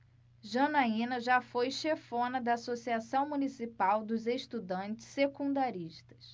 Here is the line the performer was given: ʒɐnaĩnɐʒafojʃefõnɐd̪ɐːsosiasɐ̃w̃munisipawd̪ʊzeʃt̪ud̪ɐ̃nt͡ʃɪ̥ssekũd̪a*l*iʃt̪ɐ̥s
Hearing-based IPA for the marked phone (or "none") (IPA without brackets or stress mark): ɾ